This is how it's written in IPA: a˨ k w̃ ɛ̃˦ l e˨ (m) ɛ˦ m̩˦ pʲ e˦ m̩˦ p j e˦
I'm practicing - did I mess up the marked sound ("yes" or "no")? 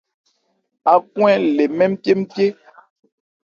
no